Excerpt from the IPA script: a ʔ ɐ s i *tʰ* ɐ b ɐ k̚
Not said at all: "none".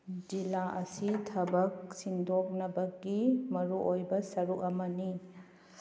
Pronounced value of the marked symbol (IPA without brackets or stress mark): tʰ